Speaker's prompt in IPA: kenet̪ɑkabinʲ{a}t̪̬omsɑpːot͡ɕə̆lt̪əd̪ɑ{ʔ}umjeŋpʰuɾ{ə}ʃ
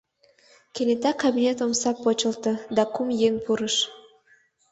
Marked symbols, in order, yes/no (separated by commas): no, no, yes